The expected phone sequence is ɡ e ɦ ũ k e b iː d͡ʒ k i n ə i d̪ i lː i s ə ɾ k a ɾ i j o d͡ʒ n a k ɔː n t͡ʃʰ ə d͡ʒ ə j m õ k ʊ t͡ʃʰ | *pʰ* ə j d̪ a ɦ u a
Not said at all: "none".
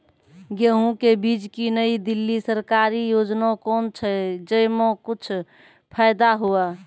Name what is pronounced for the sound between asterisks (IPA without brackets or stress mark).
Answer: pʰ